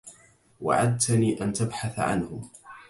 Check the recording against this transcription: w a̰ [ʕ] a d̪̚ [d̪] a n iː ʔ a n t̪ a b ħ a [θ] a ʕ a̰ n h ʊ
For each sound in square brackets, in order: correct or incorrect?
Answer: correct, incorrect: t̪, correct

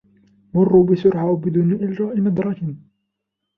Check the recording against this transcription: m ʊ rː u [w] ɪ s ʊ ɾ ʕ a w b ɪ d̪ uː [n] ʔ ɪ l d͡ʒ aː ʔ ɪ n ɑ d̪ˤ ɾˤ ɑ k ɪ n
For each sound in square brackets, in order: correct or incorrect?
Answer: incorrect: b, correct

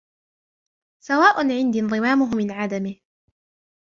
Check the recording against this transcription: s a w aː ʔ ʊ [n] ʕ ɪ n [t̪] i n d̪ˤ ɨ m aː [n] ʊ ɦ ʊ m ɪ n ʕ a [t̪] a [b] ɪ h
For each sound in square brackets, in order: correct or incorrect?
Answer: correct, incorrect: d̪, incorrect: m, incorrect: d̪, incorrect: m

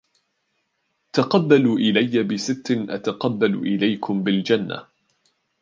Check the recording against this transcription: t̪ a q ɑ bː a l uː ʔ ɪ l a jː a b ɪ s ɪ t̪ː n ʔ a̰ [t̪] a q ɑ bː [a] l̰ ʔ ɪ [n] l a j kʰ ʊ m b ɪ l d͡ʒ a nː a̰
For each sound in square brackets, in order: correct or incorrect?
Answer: correct, correct, incorrect: none

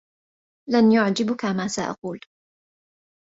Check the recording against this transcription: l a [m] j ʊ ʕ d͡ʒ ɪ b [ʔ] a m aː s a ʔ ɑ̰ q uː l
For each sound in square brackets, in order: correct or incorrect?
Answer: incorrect: n, incorrect: k

